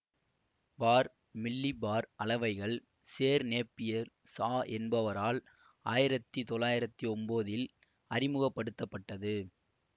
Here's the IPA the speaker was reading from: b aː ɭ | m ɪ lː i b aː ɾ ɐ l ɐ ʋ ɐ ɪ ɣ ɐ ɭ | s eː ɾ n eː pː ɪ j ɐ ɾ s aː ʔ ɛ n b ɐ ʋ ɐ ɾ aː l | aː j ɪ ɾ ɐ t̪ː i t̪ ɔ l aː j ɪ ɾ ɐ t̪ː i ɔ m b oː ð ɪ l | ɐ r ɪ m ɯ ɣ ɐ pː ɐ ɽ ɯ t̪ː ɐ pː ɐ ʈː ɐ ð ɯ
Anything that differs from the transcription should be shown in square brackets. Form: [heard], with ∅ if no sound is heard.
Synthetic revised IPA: b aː [ɾ] | m ɪ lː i b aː ɾ ɐ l ɐ ʋ ɐ ɪ ɣ ɐ ɭ | s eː ɾ n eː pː ɪ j ɐ ɾ s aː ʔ ɛ n b ɐ ʋ ɐ ɾ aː l | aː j ɪ ɾ ɐ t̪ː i t̪ ɔ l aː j ɪ ɾ ɐ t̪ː i ɔ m b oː ð ɪ l | ɐ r ɪ m ɯ ɣ ɐ pː ɐ ɽ ɯ t̪ː ɐ pː ɐ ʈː ɐ ð ɯ